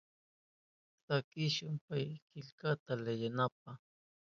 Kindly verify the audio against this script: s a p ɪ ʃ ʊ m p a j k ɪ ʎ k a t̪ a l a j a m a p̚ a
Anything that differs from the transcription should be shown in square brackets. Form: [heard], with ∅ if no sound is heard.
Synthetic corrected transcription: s a [k] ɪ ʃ ʊ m p a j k ɪ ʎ k a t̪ a l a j a [n] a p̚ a

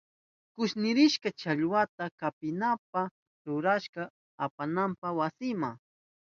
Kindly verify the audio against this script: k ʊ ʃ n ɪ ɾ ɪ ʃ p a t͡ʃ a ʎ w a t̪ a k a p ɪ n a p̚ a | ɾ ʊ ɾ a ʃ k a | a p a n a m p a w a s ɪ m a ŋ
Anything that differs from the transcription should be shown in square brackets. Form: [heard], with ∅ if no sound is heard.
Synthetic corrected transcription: k ʊ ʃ n ɪ ɾ ɪ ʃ [k] a t͡ʃ a ʎ w a t̪ a k a p ɪ n a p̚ a | ɾ ʊ ɾ a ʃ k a | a p a n a m p a w a s ɪ m a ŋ

